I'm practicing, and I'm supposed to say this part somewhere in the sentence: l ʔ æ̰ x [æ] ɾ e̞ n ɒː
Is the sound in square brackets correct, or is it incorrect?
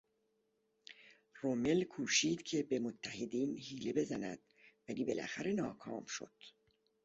correct